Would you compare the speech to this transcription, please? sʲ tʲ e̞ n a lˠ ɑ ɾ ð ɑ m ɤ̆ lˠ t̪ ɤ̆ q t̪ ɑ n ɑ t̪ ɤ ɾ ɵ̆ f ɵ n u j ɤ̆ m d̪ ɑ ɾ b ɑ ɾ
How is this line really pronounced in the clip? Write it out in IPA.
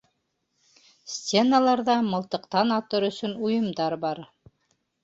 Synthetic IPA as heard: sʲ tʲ e̞ n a lˠ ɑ ɾ ð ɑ m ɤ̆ lˠ t̪ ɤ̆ q t̪ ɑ n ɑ t̪ ɤ ɾ ɵ̆ s ɵ n u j ɤ̆ m d̪ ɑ ɾ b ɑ ɾ